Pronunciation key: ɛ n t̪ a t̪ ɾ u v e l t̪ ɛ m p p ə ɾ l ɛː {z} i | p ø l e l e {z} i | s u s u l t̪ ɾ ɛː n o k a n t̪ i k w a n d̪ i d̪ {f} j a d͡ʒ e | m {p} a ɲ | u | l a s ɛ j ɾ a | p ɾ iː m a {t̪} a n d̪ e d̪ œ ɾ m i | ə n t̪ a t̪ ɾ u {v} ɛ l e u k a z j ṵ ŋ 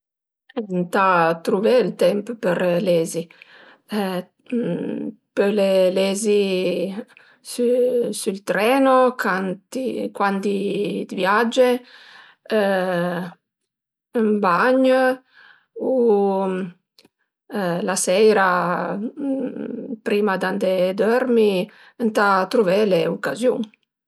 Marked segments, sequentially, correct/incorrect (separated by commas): correct, correct, incorrect, incorrect, incorrect, correct